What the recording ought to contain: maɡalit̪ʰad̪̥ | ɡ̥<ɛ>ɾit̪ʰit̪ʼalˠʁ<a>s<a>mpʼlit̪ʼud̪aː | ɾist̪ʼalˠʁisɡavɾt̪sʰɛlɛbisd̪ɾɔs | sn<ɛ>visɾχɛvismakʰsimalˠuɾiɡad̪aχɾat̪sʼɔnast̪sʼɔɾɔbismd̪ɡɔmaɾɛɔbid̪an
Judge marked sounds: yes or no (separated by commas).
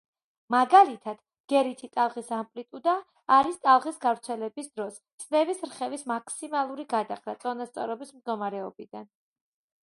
yes, no, yes, yes